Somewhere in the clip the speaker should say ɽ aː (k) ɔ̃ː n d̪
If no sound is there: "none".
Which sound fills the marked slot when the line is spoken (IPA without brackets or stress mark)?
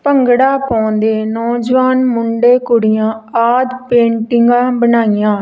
p